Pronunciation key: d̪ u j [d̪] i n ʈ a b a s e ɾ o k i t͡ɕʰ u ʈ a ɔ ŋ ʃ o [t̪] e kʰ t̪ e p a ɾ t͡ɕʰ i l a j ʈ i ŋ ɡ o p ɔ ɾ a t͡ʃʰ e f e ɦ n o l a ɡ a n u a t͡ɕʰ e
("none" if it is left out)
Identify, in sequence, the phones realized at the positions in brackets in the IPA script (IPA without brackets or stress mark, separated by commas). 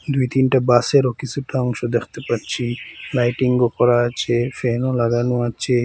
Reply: t̪, d̪